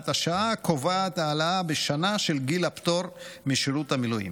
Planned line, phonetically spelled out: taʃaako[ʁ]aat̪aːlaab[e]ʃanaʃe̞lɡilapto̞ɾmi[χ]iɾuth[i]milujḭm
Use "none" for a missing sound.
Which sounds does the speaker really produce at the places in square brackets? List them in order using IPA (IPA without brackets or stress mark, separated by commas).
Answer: v, e, ʃ, a